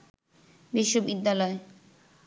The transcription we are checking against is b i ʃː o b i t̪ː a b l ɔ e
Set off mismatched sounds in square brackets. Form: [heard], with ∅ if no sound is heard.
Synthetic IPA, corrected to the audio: b i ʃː o b i [d̪ː] a [∅] l ɔ e